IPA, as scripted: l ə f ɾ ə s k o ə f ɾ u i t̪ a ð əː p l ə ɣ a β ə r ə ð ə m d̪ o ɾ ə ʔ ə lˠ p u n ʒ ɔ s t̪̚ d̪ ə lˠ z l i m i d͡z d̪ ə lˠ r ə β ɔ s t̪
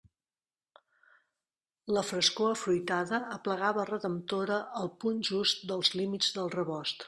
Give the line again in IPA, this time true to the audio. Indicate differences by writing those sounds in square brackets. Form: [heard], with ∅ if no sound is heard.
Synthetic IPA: l ə f ɾ ə s k o ə f ɾ u [j] t̪ a ð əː p l ə ɣ a β ə r ə ð ə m [t̪] o ɾ ə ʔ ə lˠ p u n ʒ [u] s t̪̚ d̪ ə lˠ z l i m i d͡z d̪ ə lˠ r ə β ɔ s t̪